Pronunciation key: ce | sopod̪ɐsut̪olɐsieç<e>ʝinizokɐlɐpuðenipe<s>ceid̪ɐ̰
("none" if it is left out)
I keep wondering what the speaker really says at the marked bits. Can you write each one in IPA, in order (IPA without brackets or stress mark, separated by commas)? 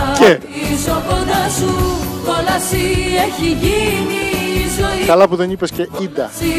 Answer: i, s